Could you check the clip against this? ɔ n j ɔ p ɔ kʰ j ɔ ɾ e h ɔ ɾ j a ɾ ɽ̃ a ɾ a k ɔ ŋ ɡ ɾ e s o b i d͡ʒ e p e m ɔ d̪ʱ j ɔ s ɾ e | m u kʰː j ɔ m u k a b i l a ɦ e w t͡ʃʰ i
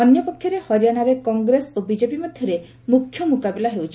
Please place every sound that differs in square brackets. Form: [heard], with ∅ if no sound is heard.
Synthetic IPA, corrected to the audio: ɔ n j ɔ p ɔ kʰ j ɔ ɾ e h ɔ ɾ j a [∅] ɽ̃ a ɾ [e] k ɔ ŋ ɡ ɾ e s o b i d͡ʒ e p [i] m ɔ d̪ʱ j ɔ [∅] ɾ e | m u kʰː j ɔ m u k a b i l a ɦ e w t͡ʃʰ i